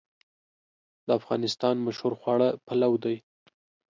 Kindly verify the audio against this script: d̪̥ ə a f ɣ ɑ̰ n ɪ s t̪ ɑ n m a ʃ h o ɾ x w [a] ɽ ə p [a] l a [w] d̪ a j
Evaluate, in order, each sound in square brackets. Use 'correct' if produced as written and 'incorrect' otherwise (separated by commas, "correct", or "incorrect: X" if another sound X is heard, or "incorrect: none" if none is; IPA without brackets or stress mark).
incorrect: ɑ, correct, correct